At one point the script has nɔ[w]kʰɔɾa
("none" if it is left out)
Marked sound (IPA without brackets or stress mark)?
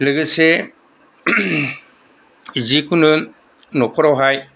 none